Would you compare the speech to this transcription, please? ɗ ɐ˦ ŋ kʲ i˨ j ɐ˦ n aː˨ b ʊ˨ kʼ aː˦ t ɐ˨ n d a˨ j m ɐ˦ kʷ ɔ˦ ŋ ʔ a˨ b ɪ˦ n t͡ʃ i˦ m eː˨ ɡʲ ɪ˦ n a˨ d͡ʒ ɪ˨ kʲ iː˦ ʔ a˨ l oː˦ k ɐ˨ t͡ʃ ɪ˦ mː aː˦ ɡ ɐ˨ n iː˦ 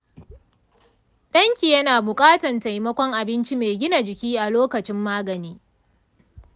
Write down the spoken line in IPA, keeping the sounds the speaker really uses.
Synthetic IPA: ɗ ɐ˦ ŋ kʲ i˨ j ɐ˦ n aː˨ b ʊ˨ kʼ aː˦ t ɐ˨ n t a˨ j m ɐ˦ kʷ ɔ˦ ŋ ʔ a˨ b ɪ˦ n t͡ʃ i˦ m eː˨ ɡʲ ɪ˦ n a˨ d͡ʒ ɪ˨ kʲ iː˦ ʔ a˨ l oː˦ k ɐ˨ t͡ʃ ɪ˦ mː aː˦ ɡ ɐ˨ n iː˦